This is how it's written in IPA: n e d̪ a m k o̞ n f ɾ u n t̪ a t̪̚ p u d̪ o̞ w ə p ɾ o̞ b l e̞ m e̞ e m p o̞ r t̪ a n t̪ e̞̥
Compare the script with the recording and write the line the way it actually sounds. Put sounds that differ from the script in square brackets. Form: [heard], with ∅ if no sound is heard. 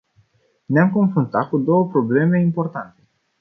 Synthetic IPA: n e [∅] a m k o̞ n f ɾ u n t̪ a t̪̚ [k] u d̪ o̞ w ə p ɾ o̞ b l e̞ m e̞ [i] m p o̞ r t̪ a n t̪ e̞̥